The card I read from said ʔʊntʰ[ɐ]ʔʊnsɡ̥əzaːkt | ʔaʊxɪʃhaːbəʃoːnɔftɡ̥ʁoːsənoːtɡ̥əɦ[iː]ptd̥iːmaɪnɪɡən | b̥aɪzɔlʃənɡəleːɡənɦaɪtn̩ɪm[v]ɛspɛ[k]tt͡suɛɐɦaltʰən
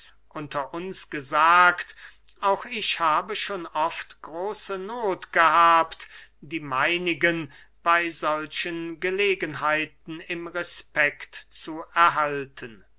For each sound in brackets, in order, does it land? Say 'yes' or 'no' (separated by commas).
yes, no, no, yes